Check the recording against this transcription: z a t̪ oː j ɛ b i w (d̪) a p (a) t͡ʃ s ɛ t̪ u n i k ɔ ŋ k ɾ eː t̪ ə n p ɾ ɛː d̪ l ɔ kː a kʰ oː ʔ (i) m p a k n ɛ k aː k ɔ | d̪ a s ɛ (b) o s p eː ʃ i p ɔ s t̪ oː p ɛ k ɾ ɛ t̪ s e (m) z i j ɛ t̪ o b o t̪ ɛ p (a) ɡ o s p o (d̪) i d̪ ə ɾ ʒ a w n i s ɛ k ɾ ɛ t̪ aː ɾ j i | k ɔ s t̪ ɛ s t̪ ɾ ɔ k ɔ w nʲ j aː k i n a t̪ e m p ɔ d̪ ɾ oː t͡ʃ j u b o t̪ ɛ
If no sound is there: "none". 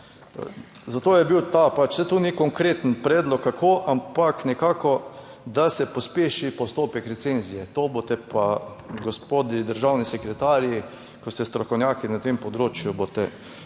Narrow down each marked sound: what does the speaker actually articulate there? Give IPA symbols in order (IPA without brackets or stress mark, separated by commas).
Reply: t̪, a, a, p, n, a, d̪